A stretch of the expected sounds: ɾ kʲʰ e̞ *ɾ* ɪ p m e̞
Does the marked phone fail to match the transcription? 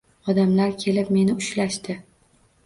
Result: yes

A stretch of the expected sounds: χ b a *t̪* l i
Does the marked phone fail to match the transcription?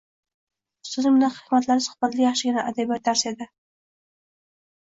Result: no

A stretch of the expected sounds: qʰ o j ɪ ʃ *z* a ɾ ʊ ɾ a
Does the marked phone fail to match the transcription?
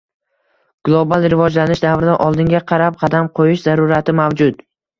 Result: no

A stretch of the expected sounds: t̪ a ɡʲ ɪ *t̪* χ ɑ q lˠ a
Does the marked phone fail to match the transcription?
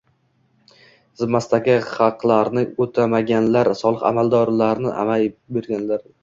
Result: yes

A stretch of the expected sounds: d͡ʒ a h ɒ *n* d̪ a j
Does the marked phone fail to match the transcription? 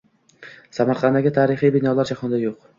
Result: no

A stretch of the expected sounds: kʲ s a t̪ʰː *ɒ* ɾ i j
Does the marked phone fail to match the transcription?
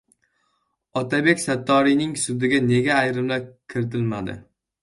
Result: no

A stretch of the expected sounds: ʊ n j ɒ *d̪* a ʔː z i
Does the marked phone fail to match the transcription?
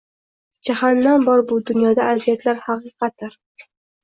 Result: no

